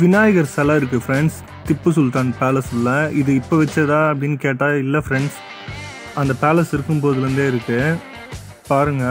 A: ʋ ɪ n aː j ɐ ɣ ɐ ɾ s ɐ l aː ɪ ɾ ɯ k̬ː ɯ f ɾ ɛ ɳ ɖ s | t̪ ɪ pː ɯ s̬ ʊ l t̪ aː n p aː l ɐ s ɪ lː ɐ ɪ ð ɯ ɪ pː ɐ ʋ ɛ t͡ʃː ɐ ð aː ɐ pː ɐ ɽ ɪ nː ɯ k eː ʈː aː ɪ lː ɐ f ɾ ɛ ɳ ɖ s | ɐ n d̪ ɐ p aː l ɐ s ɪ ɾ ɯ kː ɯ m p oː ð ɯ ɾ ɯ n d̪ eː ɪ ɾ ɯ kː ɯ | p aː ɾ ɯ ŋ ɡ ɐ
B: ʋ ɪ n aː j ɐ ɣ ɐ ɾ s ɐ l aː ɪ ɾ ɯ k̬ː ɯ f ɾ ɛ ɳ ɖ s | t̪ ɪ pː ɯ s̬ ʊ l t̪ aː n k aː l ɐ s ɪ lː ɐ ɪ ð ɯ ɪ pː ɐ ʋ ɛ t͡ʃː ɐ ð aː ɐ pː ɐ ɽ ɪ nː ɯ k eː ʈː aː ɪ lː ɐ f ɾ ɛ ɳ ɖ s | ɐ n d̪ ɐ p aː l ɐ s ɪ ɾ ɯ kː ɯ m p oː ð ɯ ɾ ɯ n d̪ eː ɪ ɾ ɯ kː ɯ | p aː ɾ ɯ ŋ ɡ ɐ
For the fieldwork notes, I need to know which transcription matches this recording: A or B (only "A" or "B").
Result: A